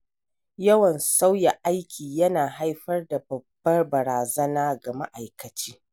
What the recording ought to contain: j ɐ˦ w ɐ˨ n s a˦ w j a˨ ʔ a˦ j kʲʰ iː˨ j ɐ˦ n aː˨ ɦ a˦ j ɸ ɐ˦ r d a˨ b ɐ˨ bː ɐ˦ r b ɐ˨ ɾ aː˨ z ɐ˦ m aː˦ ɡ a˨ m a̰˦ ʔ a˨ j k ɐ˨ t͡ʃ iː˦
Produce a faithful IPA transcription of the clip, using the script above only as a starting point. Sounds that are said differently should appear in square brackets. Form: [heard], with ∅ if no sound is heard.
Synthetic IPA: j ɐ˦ w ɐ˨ n s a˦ w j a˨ ʔ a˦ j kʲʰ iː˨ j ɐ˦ n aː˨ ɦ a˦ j ɸ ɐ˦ r d a˨ b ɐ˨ bː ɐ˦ r b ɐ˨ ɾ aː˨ z ɐ˦ [n] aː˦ ɡ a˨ m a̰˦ ʔ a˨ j k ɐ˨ t͡ʃ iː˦